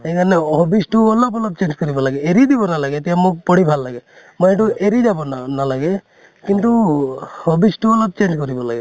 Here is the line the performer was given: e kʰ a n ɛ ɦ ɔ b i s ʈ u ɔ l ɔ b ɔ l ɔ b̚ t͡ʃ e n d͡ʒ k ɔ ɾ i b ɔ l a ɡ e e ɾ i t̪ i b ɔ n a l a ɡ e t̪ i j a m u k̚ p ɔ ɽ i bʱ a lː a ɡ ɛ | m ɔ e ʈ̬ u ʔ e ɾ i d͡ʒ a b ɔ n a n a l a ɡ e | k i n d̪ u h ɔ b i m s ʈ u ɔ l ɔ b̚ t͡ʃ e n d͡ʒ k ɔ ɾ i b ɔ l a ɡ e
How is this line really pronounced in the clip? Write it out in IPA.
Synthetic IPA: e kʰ a n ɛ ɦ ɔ b i s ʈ u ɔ l ɔ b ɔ l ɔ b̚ t͡ʃ e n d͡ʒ k ɔ ɾ i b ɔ l a ɡ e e ɾ i d̪ i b ɔ n a l a ɡ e t̪ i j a m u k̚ p ɔ ɽ i bʱ a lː a ɡ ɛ | m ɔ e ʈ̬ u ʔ e ɾ i d͡ʒ a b ɔ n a n a l a ɡ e | k i n t̪ u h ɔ b i s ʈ u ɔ l ɔ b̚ t͡ʃ e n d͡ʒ k ɔ ɾ i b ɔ l a ɡ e